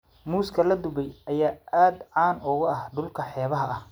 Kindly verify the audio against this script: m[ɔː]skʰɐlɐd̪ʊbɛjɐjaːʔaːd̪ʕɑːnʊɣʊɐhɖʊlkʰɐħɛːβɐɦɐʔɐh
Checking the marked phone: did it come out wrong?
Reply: yes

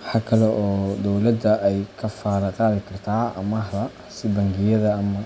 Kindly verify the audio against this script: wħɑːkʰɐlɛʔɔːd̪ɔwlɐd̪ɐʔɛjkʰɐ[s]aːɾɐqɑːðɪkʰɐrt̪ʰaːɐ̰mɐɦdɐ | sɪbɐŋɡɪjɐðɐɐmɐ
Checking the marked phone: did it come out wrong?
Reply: yes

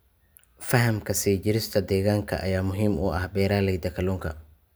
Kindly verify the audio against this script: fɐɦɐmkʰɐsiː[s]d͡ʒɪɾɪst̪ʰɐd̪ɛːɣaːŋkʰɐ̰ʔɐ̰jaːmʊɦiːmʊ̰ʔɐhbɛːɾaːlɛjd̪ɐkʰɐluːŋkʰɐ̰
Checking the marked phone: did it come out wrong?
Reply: yes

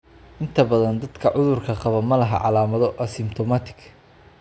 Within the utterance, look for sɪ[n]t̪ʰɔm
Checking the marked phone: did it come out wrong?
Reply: yes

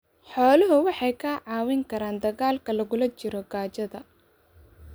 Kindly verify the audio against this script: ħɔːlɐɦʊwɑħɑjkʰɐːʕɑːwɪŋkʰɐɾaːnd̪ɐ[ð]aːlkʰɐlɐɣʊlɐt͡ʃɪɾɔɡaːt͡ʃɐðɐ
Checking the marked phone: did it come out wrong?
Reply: yes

